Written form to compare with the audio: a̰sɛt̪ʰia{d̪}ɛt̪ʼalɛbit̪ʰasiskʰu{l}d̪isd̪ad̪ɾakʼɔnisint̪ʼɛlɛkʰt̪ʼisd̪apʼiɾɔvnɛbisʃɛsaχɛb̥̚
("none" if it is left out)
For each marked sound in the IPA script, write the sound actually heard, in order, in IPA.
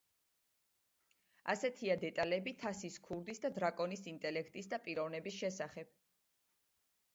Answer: d̪, ɾ

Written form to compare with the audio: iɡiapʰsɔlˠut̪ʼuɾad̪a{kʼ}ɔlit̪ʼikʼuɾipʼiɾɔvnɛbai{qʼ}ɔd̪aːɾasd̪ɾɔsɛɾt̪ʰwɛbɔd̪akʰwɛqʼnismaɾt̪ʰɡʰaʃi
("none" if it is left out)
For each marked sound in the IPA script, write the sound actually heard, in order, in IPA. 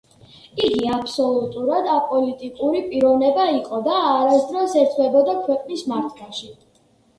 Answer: pʼ, qʼ

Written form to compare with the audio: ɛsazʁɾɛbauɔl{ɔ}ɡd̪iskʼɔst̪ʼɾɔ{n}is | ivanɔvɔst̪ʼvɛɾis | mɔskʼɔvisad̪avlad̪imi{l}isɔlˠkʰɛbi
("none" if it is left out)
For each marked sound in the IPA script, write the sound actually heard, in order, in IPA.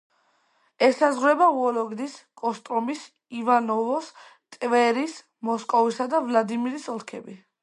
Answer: ɔ, m, ɾ

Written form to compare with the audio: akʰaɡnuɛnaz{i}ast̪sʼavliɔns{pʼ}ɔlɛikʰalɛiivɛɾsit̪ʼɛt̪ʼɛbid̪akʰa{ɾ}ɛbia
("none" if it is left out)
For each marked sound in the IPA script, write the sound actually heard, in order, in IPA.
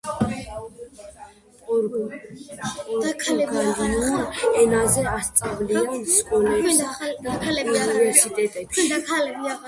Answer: ɛ, kʼ, l

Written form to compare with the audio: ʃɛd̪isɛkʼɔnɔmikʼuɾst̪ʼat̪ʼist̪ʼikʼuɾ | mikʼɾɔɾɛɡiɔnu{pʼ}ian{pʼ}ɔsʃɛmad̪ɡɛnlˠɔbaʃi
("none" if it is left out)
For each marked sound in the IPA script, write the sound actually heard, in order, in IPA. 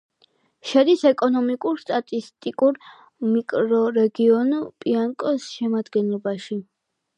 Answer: pʼ, kʼ

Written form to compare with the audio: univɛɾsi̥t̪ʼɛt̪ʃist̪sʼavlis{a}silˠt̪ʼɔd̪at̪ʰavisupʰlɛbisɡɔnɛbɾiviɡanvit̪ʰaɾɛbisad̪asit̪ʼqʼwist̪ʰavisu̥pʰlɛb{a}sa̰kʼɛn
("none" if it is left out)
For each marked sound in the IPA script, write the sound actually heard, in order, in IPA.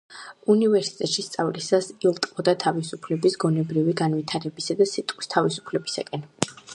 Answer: a, i

